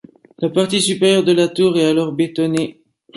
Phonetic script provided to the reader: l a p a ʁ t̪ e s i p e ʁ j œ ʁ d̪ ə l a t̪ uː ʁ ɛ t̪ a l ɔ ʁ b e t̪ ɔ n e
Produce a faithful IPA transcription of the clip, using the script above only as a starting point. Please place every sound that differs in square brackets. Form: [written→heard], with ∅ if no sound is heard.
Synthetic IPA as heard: l a p a ʁ t̪ [e→i] s [i→y] p e ʁ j œ ʁ d̪ ə l a t̪ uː ʁ ɛ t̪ a l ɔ ʁ b e t̪ ɔ n e